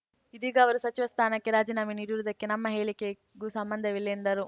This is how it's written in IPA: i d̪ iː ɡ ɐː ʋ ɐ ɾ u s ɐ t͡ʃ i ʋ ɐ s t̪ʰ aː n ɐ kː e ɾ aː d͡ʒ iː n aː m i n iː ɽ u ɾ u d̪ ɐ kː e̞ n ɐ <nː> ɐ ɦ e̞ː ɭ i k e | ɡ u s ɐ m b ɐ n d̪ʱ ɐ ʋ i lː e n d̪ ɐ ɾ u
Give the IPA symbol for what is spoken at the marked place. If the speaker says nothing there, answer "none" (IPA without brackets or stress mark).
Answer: mː